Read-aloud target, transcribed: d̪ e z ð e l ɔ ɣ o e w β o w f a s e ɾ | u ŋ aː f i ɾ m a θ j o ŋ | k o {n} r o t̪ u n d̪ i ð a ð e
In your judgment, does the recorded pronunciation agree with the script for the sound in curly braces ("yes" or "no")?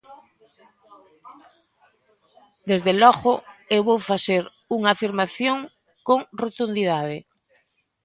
no